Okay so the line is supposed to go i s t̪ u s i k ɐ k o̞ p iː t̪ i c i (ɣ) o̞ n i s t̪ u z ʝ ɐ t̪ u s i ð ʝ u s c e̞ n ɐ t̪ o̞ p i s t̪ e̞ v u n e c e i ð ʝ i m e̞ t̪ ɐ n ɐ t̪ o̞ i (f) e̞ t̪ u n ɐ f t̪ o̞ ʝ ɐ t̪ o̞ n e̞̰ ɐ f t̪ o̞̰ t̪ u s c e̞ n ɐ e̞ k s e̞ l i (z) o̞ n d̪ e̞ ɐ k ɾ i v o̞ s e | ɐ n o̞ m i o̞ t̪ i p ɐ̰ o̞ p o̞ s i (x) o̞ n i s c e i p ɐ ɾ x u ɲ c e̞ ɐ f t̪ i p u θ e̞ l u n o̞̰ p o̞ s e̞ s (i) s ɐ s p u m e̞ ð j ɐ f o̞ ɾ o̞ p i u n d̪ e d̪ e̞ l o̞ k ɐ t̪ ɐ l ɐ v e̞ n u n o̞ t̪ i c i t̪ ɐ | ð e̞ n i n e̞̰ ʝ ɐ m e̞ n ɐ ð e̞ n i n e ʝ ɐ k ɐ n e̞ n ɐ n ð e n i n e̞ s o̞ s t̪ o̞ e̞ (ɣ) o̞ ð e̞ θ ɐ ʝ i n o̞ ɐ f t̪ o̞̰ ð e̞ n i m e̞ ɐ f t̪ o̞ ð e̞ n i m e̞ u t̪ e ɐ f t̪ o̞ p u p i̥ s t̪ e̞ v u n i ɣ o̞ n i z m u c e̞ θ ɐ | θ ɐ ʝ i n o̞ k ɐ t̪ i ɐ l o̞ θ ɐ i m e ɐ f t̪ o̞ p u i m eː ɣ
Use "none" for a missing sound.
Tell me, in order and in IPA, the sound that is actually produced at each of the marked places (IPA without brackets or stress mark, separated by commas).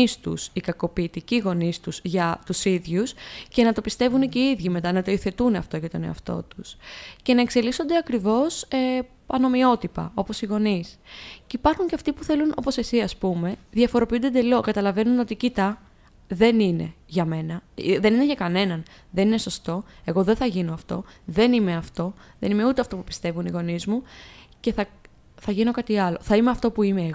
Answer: ɣ, θ, s, ɣ, i, ɣ